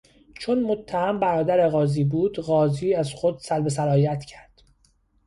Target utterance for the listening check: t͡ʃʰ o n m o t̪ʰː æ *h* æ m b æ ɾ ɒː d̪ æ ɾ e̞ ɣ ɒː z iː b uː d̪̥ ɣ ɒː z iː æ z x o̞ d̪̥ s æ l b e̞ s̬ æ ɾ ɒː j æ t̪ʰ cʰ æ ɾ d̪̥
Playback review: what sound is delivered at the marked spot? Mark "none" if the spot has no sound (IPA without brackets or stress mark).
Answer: h